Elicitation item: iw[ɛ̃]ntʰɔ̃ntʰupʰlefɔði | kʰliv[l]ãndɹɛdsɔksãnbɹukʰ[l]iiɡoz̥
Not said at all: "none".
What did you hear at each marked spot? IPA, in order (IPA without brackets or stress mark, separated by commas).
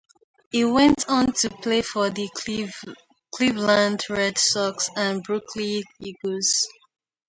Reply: ɛ̃, l, l